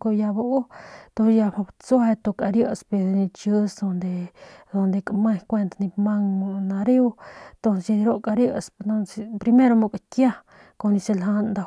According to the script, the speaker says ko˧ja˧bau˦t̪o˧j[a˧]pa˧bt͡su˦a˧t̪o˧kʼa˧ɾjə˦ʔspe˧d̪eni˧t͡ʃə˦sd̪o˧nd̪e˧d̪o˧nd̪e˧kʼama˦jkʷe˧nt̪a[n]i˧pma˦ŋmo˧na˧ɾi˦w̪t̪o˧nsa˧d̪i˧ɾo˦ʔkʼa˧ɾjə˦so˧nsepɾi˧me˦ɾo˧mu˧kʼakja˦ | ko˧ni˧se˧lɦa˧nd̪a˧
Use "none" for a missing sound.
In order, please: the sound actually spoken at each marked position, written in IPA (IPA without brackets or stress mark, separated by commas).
a˧, n